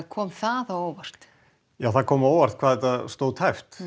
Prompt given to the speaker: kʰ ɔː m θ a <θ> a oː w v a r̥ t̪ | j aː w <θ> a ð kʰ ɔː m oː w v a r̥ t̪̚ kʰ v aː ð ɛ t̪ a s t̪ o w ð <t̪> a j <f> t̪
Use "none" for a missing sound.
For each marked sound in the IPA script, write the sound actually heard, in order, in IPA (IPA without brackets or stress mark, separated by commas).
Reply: ð, θ, t̪ʰ, f